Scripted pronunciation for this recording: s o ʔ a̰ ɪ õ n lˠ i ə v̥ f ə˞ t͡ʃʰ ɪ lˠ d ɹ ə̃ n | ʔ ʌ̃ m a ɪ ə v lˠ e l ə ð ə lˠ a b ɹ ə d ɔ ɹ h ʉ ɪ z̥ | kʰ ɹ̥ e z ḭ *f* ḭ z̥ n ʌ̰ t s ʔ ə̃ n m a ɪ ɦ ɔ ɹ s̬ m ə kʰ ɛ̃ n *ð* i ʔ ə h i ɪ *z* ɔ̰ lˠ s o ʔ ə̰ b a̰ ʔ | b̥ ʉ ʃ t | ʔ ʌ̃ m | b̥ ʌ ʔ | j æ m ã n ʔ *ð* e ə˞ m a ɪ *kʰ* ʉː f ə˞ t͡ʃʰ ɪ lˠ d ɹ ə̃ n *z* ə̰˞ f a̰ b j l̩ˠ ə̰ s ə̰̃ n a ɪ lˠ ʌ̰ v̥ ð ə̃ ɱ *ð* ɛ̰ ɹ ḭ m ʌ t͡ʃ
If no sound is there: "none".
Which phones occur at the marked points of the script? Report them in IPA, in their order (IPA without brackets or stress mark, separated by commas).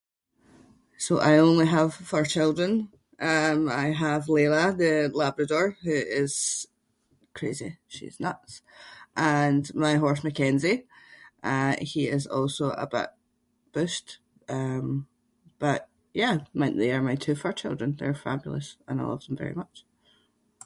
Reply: ʃ, z, z, ð, tʰ, ð, v